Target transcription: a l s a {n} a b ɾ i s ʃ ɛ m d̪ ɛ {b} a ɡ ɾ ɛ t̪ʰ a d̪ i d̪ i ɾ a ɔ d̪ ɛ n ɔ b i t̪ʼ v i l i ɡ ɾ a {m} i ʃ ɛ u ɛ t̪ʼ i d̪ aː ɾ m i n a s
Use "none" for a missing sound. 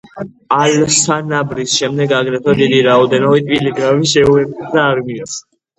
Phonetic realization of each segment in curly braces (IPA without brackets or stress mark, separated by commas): n, ɡ, m